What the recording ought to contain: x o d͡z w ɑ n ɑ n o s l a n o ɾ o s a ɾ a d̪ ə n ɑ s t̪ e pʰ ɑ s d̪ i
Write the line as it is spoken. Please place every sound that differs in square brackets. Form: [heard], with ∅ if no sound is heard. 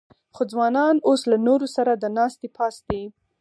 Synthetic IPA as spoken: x o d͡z w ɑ n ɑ n o s l a n o ɾ o s a ɾ a d̪ ə n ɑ s t̪ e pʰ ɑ s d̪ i